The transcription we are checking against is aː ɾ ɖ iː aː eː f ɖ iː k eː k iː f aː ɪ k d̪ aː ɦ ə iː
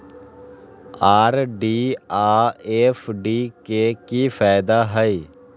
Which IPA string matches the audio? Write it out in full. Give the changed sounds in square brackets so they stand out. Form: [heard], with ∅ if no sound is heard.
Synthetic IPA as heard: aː ɾ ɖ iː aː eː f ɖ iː k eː k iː f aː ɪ [∅] d̪ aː ɦ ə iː